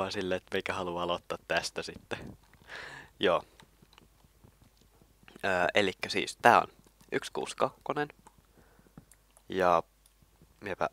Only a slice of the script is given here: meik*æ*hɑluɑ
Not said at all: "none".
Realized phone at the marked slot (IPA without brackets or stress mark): æ